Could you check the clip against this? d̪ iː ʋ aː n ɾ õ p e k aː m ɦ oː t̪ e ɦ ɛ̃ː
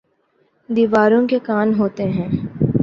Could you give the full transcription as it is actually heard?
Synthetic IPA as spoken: d̪ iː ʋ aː ɾ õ k e k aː n ɦ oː t̪ e ɦ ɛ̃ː